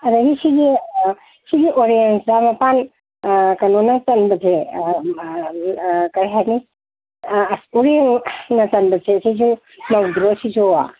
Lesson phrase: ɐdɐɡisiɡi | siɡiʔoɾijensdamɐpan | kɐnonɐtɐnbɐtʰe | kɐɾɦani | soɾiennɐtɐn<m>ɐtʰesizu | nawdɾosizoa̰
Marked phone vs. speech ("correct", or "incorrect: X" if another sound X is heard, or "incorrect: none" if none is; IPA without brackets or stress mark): incorrect: b